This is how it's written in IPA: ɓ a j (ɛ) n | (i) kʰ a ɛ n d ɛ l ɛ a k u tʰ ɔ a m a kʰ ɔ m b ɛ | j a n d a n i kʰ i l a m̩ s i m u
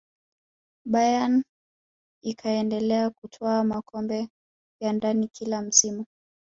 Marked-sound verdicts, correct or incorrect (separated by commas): incorrect, correct